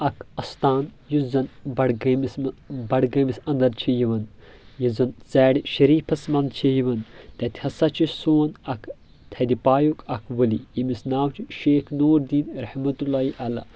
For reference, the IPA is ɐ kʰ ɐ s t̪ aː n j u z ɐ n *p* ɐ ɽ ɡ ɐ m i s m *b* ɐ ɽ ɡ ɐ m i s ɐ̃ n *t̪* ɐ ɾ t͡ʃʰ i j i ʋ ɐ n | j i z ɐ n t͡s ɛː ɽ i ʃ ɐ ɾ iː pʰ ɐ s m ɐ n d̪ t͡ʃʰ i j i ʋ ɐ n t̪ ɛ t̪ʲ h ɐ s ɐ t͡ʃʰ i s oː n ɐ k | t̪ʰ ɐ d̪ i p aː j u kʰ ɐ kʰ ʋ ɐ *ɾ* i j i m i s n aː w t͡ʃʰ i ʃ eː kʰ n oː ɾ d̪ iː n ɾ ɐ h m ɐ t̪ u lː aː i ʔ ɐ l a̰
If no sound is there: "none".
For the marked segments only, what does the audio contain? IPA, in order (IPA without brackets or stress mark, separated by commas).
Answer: b, b, d̪, l